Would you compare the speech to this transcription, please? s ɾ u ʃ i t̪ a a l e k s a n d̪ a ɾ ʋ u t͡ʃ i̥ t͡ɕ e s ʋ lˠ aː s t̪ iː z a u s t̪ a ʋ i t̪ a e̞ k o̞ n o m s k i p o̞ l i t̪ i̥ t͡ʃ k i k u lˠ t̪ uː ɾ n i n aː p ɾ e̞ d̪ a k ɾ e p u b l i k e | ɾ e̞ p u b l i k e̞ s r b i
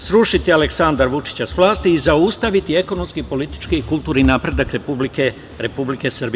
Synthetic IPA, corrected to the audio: s ɾ u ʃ i t̪ i a l e k s a n d̪ a ɾ ʋ u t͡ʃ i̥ t͡ɕ a s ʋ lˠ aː s t̪ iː z a u s t̪ a ʋ i t̪ i e̞ k o̞ n o m s k i p o̞ l i t̪ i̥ t͡ʃ k i k u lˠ t̪ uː ɾ n i n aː p ɾ e̞ d̪ a k ɾ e p u b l i k e | ɾ e̞ p u b l i k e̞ s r b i